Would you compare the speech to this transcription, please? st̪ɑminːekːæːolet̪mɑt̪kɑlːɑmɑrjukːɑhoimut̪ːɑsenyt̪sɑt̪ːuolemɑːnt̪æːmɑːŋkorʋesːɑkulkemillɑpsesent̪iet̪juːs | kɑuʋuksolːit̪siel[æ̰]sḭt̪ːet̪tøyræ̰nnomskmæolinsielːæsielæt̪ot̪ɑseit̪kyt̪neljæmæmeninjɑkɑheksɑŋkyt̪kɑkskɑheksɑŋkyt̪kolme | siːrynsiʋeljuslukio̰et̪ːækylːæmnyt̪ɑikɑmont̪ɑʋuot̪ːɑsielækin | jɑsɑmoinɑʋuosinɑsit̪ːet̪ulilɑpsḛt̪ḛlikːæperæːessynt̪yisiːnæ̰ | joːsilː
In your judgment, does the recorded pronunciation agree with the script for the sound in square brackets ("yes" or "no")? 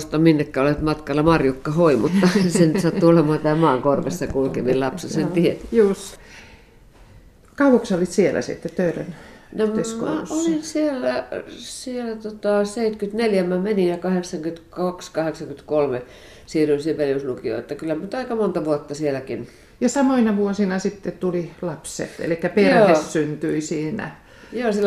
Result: yes